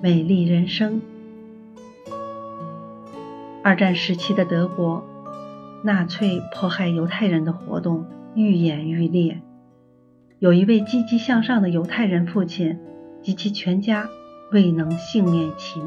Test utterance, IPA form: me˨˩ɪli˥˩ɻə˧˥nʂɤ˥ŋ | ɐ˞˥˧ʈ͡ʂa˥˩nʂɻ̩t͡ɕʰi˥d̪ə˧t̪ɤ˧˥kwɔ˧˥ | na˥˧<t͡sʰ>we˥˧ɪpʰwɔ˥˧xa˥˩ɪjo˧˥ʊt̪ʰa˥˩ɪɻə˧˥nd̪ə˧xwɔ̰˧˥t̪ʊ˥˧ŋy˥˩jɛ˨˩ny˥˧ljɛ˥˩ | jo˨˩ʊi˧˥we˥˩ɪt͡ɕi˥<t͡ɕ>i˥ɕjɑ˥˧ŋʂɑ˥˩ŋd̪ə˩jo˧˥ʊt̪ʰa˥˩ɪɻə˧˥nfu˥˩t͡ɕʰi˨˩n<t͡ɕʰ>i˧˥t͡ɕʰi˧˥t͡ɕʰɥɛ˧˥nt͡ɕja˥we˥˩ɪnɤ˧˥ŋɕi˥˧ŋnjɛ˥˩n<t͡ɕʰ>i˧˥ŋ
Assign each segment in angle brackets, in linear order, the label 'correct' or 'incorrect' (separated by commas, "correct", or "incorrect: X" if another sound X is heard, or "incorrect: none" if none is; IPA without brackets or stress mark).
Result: correct, correct, incorrect: t͡ɕ, correct